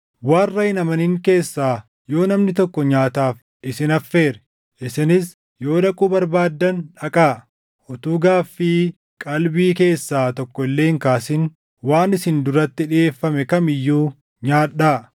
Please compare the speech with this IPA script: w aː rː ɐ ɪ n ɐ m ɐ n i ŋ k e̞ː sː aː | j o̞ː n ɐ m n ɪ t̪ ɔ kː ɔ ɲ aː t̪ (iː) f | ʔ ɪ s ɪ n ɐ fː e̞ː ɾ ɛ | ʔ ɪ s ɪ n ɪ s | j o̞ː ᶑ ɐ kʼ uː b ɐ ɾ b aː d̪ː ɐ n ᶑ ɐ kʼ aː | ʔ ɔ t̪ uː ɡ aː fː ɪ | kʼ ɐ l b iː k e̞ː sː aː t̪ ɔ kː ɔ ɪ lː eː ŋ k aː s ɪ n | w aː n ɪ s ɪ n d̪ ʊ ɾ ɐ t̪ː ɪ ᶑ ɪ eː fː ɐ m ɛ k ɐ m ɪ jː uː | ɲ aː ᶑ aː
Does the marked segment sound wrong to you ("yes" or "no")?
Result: yes